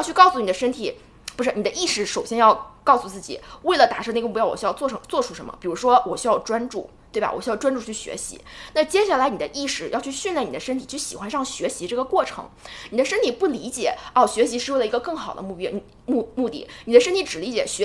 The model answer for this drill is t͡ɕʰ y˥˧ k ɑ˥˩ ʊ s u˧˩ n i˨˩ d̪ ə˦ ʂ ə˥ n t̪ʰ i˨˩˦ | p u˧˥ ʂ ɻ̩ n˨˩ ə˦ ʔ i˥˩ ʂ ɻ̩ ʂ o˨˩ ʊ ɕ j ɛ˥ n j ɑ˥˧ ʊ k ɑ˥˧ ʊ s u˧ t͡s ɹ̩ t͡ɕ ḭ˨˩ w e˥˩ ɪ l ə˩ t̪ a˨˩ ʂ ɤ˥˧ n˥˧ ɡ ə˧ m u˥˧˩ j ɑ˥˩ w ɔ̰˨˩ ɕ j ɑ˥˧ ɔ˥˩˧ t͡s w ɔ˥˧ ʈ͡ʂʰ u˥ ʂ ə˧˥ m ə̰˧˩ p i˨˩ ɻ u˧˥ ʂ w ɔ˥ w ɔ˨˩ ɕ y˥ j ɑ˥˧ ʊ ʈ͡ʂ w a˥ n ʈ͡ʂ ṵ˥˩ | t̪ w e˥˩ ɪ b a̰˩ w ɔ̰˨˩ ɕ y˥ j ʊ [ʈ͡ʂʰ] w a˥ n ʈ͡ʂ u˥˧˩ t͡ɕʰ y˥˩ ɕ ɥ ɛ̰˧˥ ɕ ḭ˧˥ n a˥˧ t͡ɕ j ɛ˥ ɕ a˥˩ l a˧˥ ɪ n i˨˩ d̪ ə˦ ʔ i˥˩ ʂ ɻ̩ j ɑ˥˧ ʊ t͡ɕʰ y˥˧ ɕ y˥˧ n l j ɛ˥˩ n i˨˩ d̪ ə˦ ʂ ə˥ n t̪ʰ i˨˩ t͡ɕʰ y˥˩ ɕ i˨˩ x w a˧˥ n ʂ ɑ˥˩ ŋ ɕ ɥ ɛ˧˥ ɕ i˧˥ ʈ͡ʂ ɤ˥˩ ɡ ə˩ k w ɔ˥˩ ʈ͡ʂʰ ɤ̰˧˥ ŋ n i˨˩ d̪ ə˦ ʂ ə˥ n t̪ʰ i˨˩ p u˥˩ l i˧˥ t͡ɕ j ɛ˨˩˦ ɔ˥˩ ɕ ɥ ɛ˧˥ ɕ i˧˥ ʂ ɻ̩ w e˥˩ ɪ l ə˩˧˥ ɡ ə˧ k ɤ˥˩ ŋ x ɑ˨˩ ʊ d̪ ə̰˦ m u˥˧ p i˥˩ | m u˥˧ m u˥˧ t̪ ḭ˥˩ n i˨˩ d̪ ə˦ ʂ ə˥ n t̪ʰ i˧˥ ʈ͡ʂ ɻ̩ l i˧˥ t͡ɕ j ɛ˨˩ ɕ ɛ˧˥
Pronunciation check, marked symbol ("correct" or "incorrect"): incorrect